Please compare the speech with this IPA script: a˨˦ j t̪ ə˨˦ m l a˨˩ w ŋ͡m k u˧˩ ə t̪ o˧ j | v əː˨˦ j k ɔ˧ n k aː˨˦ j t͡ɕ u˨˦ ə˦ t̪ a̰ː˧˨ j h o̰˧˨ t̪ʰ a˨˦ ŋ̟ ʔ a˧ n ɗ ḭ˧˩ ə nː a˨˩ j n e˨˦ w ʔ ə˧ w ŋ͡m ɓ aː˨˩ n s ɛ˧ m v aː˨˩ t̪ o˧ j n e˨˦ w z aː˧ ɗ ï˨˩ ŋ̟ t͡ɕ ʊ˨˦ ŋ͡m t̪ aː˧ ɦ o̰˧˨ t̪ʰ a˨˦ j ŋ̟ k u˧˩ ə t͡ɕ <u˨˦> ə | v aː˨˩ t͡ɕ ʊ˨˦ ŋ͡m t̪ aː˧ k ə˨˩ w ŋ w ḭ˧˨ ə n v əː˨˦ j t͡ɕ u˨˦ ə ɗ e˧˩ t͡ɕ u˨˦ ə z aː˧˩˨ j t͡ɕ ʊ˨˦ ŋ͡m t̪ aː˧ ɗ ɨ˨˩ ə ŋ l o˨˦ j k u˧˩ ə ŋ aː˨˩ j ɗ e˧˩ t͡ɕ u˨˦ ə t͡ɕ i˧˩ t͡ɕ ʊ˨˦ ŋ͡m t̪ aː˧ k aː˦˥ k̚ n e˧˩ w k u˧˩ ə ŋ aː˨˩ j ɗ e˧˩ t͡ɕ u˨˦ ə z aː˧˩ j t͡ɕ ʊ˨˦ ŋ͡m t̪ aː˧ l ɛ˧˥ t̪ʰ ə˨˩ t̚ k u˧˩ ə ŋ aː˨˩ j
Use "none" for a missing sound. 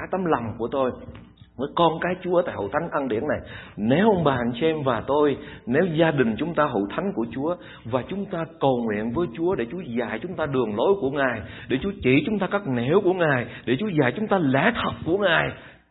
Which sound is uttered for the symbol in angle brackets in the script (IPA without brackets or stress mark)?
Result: u˨˦